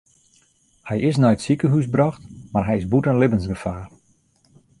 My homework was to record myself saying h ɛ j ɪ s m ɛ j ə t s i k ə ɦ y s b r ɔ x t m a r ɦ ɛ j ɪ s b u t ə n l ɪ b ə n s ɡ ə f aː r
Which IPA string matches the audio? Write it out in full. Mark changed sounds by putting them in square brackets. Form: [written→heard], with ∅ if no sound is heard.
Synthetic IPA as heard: h ɛ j ɪ s [m→n] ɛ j ə t s i k ə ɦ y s b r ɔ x t m a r ɦ ɛ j ɪ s b u t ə n l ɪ b ə n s ɡ ə f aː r